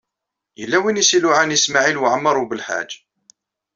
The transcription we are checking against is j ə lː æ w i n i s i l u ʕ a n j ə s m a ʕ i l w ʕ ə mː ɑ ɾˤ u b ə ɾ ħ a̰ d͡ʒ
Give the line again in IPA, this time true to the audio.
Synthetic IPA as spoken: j ə lː æ w i n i s i l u ʕ a n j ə s m a ʕ i l w ʕ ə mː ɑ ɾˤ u b ə l ħ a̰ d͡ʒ